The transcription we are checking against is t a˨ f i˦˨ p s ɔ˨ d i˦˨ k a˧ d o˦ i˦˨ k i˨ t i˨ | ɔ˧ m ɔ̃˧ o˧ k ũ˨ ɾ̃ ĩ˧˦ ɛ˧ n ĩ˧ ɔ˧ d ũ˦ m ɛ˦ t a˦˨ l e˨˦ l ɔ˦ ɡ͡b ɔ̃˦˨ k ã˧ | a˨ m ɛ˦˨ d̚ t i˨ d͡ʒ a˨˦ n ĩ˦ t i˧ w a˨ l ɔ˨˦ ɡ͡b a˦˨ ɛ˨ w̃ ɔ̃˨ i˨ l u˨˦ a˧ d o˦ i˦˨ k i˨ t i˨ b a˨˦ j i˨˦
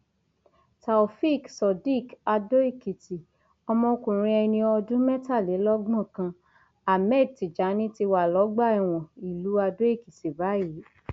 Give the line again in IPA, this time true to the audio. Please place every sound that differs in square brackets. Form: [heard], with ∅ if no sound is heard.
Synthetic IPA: t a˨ f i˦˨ [k] s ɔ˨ d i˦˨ k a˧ d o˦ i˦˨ k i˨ t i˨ | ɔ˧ m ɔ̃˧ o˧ k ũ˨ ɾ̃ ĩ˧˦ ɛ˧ n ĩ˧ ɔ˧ d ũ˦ m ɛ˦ t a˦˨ l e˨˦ l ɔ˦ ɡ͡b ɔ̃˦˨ k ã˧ | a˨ m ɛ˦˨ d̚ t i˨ d͡ʒ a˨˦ n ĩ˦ t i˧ w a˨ l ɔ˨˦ ɡ͡b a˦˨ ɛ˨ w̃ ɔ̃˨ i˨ l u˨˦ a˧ d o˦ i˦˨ k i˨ t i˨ b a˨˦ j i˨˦